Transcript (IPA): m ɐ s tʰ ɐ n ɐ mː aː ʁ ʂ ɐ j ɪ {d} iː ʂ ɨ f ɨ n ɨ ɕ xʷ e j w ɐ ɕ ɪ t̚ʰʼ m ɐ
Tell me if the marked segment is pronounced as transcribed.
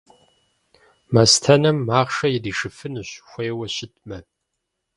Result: yes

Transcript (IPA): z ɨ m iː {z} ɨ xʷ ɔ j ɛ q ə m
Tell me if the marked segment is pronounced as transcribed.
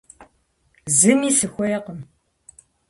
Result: no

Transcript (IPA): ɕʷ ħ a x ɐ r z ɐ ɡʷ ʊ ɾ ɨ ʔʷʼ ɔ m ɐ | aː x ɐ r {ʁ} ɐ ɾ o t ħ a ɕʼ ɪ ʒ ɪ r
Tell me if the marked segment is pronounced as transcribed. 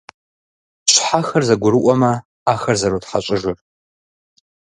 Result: no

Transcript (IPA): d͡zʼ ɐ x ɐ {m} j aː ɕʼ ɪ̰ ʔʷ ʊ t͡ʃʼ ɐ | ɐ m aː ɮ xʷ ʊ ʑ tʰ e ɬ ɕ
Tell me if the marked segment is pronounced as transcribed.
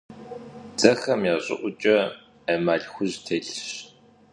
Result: yes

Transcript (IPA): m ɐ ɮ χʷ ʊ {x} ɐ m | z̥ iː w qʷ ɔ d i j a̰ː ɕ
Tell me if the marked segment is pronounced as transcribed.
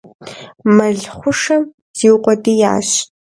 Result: no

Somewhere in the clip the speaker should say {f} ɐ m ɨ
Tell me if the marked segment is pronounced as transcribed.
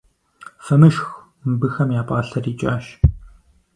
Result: yes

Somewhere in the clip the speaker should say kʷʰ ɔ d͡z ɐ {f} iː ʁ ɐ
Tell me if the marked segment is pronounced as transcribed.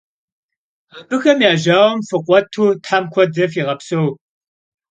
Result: yes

